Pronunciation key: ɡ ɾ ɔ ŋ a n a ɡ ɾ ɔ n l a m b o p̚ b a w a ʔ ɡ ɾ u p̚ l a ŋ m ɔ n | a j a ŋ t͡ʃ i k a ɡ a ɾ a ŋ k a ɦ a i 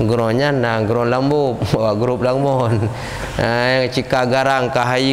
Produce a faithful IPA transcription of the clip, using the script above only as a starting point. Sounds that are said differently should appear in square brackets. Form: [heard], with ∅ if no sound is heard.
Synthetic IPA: ɡ ɾ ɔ [ɲ] a n a ɡ ɾ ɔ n l a m b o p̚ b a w a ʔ ɡ ɾ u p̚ l a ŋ m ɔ n | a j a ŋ t͡ʃ i k a ɡ a ɾ a ŋ k a ɦ a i